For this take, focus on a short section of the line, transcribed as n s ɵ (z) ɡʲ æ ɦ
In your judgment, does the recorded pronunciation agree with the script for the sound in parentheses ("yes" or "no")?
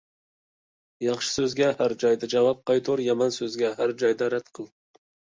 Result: yes